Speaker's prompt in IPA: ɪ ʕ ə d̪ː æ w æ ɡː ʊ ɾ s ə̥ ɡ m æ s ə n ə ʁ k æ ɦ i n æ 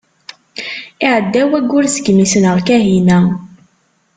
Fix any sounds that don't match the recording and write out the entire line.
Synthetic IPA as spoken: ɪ ʕ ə d̪ː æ w æ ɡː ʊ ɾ s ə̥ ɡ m i s ə n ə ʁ k æ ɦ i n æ